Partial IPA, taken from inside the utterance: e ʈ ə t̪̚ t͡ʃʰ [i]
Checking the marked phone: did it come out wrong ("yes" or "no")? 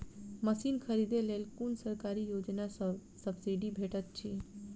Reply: no